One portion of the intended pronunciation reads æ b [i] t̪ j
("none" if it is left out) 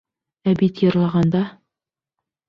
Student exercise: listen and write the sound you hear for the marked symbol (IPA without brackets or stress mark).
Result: i